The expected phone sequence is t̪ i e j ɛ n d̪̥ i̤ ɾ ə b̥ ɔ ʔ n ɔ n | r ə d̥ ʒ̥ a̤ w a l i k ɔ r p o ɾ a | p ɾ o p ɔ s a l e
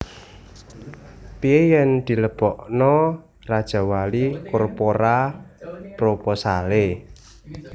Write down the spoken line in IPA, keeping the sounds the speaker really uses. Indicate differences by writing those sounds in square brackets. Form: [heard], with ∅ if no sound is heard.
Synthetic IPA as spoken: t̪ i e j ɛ n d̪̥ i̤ [l] ə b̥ ɔ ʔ n ɔ [∅] | r [a] d̥ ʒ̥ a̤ w a l i k ɔ r p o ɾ a | p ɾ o p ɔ s a l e